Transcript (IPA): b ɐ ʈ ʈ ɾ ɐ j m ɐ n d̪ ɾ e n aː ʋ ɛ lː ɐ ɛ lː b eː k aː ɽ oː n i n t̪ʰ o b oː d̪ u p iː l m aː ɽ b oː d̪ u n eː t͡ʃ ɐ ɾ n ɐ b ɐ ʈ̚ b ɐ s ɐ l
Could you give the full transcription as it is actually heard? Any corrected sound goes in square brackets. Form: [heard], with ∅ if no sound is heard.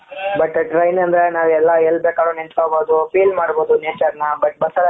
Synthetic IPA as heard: b ɐ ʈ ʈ ɾ ɐ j [n] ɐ n d̪ ɾ e n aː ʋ ɛ lː ɐ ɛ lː b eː k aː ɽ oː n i n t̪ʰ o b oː d̪ u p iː l m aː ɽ b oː d̪ u n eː t͡ʃ ɐ ɾ n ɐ b ɐ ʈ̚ b ɐ s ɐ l